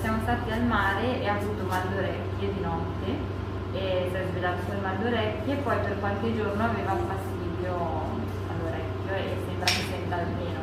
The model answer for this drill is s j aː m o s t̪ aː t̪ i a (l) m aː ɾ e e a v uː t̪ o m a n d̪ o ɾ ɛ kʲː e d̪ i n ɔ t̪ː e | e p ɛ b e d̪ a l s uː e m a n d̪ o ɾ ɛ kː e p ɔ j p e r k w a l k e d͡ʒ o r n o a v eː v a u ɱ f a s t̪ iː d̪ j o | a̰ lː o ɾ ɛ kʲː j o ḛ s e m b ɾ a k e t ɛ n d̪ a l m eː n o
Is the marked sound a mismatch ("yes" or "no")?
no